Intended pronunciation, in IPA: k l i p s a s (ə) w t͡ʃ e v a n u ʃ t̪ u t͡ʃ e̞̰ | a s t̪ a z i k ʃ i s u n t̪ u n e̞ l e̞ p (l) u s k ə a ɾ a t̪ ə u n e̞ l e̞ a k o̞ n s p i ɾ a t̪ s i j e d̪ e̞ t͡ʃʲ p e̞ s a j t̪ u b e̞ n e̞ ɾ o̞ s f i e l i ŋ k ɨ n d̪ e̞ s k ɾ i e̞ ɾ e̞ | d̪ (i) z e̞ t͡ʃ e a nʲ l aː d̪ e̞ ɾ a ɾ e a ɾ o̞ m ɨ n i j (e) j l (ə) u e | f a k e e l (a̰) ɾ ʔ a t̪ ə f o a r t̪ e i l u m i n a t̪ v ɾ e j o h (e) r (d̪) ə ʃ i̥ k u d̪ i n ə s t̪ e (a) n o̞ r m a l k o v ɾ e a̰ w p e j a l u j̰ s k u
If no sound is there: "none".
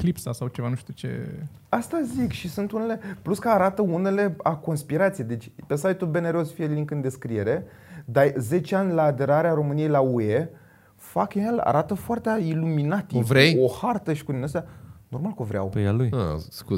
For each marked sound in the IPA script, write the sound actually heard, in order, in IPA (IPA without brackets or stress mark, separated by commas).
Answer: a, l, a, e, a, a̰, a, t̪, a